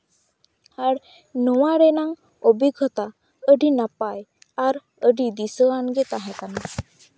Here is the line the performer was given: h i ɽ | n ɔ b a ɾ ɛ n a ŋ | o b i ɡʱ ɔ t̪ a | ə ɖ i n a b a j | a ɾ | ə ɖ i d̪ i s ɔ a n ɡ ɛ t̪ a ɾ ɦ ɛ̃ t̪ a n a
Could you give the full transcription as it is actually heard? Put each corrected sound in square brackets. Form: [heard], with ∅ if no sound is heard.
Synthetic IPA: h [a] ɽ | n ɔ [w] a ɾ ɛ n a ŋ | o b i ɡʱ ɔ t̪ a | ə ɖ i n a [p] a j | a ɾ | ə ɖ i d̪ i s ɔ a n ɡ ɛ t̪ a [∅] ɦ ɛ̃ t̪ a n a